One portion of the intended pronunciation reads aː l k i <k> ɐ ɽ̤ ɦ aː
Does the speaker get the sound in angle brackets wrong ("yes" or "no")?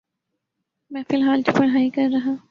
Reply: yes